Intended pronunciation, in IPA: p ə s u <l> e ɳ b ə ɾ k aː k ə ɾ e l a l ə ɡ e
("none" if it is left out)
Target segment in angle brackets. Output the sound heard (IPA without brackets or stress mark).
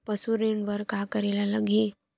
ɾ